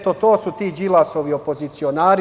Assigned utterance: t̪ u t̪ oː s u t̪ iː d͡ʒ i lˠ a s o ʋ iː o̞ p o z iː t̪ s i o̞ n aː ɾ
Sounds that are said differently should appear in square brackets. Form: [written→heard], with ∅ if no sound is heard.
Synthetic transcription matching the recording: t̪ [u→o] t̪ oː s u t̪ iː d͡ʒ i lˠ a s o ʋ [iː→i] o̞ p o z [iː→i] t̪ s i o̞ n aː ɾ